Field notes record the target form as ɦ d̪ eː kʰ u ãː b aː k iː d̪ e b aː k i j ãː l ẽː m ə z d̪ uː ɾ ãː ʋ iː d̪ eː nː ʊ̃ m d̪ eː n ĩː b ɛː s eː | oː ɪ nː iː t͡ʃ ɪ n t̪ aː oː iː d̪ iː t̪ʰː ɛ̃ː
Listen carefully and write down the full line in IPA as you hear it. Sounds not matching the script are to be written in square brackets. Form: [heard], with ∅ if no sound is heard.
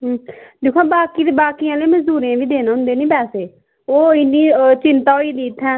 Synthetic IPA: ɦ d̪ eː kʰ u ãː b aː k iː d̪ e b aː k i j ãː l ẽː m ə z d̪ uː ɾ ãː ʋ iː d̪ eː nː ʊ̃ [n] d̪ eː n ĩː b ɛː s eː | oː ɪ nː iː t͡ʃ ɪ n t̪ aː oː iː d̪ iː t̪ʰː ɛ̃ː

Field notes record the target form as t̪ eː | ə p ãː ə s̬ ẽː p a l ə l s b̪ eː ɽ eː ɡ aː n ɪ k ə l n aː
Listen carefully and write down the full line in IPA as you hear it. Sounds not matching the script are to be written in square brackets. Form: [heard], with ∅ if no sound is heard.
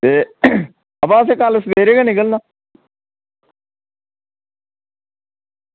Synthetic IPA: t̪ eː | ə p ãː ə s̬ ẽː [k] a l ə [∅] s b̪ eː [ɾ] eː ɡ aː n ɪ k ə l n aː

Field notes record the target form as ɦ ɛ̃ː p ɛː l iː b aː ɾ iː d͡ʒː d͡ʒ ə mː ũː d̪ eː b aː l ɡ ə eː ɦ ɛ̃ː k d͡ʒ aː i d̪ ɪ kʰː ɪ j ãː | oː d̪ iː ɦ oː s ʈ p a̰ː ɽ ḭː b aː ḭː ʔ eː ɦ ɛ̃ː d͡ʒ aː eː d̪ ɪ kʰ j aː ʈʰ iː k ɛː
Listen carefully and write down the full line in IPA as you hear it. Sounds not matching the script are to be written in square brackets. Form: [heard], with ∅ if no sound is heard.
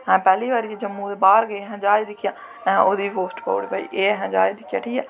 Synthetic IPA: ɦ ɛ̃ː p ɛː l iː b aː ɾ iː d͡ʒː d͡ʒ ə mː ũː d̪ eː b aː [ɾ] ɡ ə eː ɦ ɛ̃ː [∅] d͡ʒ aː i d̪ ɪ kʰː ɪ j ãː | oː d̪ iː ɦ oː s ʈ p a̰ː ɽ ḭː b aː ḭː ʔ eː ɦ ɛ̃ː d͡ʒ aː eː d̪ ɪ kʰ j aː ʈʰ iː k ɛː

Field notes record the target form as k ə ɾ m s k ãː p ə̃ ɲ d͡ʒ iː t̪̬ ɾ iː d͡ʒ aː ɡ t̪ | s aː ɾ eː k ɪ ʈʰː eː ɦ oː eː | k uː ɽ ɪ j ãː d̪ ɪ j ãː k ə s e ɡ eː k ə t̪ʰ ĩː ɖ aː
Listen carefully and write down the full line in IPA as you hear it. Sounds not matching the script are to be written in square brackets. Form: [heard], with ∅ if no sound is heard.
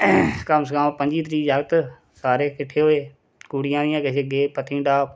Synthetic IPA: k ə [∅] m s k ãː p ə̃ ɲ d͡ʒ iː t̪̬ ɾ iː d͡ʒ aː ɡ t̪ | s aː ɾ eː k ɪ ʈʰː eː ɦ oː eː | k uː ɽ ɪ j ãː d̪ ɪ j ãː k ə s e ɡ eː [p] ə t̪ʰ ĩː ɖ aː

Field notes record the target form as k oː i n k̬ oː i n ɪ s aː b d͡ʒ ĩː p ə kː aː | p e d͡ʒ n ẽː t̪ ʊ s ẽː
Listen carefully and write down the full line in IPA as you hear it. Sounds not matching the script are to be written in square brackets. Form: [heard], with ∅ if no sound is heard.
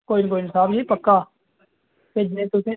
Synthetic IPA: k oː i n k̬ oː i n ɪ s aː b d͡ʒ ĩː p ə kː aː | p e d͡ʒ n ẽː t̪ ʊ s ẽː

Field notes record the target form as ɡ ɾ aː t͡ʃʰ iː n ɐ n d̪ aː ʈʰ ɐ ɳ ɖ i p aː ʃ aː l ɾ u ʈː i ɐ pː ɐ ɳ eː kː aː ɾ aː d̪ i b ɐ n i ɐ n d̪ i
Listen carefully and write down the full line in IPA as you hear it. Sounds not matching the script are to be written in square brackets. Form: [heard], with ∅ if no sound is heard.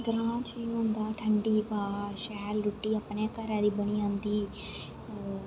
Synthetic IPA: ɡ ɾ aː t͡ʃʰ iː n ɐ n d̪ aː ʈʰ ɐ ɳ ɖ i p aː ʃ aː l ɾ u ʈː i ɐ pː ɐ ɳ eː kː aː ɾ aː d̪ i b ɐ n i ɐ n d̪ i

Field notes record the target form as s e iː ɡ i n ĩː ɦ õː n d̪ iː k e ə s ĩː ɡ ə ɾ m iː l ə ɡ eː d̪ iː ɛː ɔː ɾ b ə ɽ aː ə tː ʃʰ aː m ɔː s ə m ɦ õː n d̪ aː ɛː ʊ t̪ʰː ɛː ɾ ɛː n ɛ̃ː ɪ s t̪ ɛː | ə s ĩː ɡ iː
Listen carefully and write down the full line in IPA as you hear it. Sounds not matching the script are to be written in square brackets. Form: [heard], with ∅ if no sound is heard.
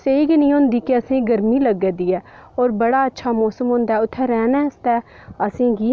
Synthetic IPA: s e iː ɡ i n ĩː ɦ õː n d̪ iː k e ə s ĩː ɡ ə ɾ m iː l ə ɡ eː d̪ iː ɛː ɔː ɾ b ə ɽ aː ə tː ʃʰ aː m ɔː s ə m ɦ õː n d̪ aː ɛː ʊ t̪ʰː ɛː ɾ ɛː n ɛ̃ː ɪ s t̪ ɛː | ə s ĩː ɡ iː

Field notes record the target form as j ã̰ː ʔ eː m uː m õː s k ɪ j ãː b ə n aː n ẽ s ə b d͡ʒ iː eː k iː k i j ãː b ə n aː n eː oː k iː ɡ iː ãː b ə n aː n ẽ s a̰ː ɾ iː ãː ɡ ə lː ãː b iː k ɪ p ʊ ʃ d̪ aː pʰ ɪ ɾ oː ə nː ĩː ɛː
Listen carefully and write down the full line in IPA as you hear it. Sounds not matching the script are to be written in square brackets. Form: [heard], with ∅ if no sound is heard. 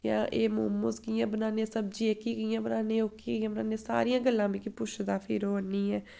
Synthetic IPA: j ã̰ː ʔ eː m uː m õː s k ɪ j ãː b ə n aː n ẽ s ə b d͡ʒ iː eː k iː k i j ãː b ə n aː n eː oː k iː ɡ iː ãː b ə n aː n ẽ s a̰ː ɾ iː ãː ɡ ə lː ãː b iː k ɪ p ʊ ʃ d̪ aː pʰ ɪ ɾ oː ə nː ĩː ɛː

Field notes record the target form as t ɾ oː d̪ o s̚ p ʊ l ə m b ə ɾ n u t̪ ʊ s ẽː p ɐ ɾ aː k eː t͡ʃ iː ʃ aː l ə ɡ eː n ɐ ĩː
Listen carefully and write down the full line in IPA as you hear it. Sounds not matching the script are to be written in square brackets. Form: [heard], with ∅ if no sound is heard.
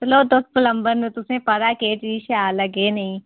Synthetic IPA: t [l] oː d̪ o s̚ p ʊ l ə m b ə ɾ n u t̪ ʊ s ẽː p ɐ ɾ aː k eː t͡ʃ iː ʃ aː l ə ɡ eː n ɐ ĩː

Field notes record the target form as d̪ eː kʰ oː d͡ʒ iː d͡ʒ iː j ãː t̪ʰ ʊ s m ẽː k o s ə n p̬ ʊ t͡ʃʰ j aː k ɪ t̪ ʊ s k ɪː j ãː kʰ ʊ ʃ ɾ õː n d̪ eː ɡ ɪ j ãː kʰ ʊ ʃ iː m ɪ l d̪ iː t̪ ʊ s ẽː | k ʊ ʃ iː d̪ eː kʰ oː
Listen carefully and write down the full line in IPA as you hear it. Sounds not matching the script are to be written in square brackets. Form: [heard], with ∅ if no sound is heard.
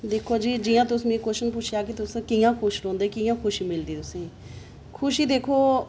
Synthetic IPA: d̪ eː kʰ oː d͡ʒ iː d͡ʒ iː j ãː [t̪] ʊ s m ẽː k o [ʃ] ə n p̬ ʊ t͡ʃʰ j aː k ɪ t̪ ʊ s k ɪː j ãː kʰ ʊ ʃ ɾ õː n d̪ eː [k] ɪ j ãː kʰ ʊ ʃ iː m ɪ l d̪ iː t̪ ʊ s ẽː | [kʰ] ʊ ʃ iː d̪ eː kʰ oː

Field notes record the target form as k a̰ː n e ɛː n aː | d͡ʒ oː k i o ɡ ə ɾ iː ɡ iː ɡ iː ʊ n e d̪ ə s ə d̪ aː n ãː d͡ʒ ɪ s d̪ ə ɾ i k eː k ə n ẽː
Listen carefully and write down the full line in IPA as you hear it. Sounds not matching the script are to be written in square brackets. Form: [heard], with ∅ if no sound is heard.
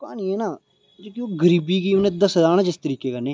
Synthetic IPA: k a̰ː n [i] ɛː n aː | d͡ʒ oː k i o ɡ ə ɾ iː [b] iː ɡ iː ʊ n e d̪ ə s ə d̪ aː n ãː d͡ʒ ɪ s [t̪] ə ɾ [iː] k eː k ə n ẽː

